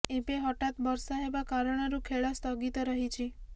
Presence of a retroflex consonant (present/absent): present